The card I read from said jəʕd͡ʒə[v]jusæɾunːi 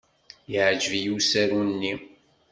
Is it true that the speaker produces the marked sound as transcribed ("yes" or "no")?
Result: yes